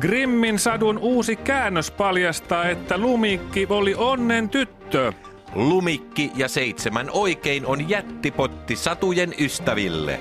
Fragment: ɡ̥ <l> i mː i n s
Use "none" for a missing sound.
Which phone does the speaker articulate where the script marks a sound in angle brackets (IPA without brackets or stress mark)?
r